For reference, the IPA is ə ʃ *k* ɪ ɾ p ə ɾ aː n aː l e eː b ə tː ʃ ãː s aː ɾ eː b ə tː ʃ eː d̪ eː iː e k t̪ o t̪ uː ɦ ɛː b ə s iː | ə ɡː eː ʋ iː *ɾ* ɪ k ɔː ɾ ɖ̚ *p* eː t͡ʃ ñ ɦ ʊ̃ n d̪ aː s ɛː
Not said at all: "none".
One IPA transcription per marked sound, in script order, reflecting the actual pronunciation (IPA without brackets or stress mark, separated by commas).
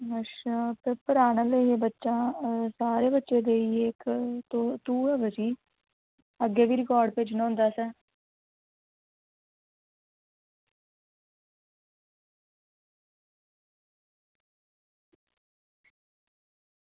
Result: p, ɾ, p